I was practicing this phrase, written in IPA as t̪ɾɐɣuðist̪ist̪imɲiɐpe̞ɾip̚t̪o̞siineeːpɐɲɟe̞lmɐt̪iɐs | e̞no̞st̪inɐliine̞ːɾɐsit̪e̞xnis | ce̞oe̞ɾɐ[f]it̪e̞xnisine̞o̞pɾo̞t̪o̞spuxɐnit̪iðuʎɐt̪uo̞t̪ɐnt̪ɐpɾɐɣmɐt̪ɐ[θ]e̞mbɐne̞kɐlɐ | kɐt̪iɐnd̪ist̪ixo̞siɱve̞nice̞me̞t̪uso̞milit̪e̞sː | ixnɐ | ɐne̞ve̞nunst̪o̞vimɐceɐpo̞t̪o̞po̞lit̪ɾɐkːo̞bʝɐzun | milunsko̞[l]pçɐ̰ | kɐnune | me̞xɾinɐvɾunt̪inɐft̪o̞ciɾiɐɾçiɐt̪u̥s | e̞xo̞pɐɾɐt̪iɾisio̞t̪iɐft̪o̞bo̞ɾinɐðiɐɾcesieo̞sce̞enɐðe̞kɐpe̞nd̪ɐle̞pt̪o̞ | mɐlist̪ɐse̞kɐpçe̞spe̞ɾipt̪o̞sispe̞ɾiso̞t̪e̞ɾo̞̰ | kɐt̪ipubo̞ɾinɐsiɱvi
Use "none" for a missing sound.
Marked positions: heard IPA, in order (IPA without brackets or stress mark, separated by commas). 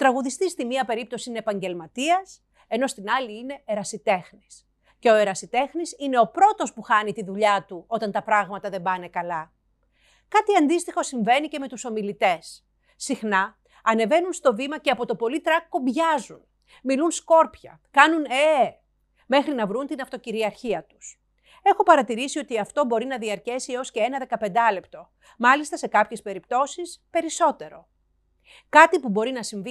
s, ð, ɾ